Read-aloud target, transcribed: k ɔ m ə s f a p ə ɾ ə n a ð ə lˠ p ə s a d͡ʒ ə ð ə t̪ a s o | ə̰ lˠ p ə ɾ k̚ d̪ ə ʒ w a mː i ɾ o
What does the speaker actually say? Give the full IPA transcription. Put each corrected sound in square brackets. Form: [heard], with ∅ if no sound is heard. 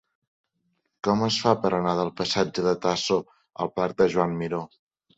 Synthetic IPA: k ɔ m ə s f a p ə ɾ ə n a ð ə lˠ p ə s a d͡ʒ ə ð ə t̪ a s o | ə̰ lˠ p [a] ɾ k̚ d̪ ə ʒ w a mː i ɾ o